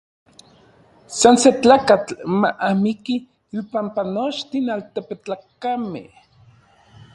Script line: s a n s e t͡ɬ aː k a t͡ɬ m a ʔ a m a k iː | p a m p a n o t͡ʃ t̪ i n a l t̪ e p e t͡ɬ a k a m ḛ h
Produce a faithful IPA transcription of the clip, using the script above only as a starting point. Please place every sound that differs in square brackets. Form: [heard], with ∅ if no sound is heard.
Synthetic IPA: s a n s e t͡ɬ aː k a t͡ɬ m a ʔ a m [i] k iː | p a m p a n o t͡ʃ t̪ i n a l t̪ e p e t͡ɬ a k a m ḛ h